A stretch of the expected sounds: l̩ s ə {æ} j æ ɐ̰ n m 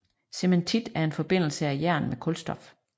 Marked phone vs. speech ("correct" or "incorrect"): correct